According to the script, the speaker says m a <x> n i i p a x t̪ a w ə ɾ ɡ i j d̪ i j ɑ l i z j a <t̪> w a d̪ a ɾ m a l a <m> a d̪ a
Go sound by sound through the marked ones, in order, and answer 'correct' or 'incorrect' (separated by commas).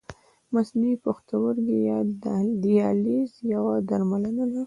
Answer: incorrect, incorrect, incorrect